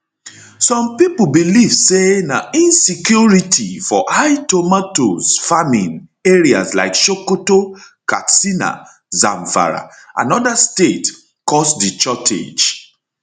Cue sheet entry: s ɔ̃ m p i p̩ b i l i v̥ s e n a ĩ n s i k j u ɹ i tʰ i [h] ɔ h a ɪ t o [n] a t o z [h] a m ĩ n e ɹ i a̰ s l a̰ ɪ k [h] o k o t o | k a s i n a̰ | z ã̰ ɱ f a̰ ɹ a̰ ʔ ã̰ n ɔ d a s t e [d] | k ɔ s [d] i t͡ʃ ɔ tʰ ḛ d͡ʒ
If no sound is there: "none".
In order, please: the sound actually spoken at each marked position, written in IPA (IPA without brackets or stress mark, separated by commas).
f, m, f, ʃ, t, d